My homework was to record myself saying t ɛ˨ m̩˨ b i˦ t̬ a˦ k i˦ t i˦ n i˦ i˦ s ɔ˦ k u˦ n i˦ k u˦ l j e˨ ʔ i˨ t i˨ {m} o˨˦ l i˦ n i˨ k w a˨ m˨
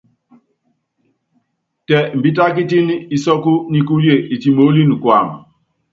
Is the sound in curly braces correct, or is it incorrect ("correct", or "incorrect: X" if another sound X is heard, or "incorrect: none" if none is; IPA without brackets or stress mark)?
correct